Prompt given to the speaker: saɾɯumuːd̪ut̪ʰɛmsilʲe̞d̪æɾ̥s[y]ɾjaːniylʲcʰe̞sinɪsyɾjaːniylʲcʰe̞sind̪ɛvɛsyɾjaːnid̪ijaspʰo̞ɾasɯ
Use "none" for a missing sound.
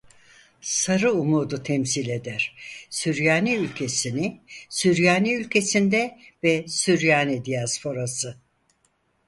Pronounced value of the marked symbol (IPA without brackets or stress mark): y